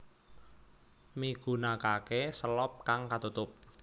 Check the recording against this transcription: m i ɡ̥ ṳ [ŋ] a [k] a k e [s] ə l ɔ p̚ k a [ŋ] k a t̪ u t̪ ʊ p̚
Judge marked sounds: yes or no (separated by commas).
no, yes, yes, yes